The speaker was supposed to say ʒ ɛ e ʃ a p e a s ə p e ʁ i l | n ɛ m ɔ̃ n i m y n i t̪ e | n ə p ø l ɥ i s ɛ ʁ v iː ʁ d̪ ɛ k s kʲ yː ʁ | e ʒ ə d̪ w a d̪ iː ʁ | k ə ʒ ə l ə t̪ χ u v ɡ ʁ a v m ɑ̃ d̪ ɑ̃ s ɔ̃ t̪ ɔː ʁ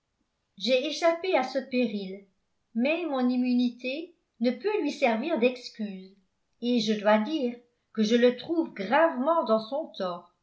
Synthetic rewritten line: ʒ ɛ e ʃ a p e a s ə p e ʁ i l | m ɛ m ɔ̃ n i m y n i t̪ e | n ə p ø l ɥ i s ɛ ʁ v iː ʁ d̪ ɛ k s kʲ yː z | e ʒ ə d̪ w a d̪ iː ʁ | k ə ʒ ə l ə t̪ χ u v ɡ ʁ a v m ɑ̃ d̪ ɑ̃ s ɔ̃ t̪ ɔː ʁ